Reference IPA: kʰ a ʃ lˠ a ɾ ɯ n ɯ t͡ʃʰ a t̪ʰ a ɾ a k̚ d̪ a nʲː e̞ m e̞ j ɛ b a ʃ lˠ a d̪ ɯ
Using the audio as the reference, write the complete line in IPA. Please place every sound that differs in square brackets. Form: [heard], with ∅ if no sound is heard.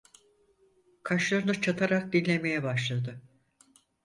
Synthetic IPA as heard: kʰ a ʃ lˠ a ɾ ɯ n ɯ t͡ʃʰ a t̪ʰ a ɾ a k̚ d̪ [i] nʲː e̞ m e̞ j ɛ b a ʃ lˠ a d̪ ɯ